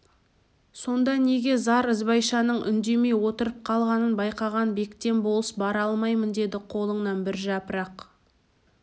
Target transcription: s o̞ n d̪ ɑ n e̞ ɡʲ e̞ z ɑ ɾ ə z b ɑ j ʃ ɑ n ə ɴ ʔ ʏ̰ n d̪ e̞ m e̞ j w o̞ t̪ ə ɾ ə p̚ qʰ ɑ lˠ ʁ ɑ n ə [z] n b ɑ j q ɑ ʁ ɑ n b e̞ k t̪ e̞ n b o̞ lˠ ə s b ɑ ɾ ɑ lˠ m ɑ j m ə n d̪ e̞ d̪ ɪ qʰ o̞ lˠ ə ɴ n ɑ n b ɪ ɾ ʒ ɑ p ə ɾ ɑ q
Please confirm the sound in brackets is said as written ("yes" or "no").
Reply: no